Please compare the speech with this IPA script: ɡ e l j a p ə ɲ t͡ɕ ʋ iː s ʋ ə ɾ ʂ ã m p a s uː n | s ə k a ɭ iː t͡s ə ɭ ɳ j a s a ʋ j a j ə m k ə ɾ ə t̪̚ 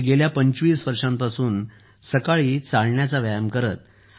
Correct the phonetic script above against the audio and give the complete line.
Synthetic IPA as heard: ɡ e l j a p ə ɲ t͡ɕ ʋ iː s ʋ ə ɾ ʂ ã m p a s uː n | s ə k a ɭ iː t͡s a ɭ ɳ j a t͡s a ʋ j a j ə m k ə ɾ ə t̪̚